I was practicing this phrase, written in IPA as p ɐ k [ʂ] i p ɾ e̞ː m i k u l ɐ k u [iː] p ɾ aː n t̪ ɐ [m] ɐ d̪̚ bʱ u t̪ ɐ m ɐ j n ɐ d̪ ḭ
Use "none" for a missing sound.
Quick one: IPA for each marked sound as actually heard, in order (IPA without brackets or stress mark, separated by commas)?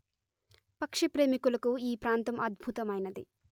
ʂ, iː, m